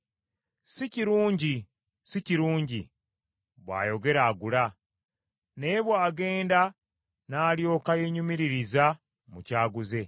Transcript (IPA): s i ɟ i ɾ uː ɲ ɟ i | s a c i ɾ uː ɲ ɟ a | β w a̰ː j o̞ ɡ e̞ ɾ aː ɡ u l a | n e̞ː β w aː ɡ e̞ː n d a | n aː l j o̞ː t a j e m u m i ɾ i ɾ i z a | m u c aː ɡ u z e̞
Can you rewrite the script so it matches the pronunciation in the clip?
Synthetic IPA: s i c i ɾ uː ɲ ɟ i | s i c i ɾ uː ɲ ɟ i | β w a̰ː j o̞ ɡ e̞ ɾ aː ɡ u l a | n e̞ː β w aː ɡ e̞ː n d a | n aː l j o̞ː k a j e ɲ u m i ɾ i ɾ i z a | m u c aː ɡ u z e̞